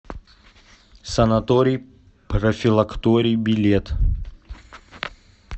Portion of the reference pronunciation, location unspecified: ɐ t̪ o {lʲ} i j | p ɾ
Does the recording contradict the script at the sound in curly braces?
yes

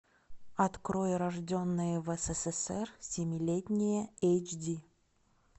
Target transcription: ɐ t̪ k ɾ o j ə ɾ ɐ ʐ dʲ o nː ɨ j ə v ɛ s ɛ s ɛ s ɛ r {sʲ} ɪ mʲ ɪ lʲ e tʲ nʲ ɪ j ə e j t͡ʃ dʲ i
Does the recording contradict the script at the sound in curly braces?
no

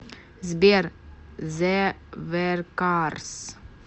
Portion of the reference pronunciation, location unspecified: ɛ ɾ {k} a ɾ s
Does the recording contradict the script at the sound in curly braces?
no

